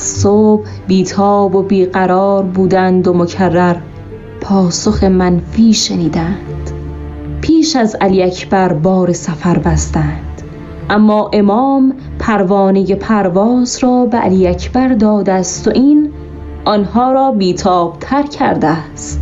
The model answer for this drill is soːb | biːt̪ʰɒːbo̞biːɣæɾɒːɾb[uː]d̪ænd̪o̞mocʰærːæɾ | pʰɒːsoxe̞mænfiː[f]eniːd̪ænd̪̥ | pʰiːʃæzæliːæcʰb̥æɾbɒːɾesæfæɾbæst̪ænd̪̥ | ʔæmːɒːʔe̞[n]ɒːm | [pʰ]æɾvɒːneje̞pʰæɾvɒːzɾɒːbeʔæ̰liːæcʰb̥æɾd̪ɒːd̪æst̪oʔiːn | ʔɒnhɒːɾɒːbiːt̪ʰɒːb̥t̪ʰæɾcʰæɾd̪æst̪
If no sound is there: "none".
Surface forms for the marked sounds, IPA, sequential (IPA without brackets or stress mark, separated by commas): uː, ʃ, m, pʰ